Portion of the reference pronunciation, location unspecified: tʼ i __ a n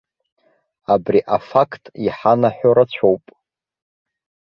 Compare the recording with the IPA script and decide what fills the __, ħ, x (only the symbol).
ħ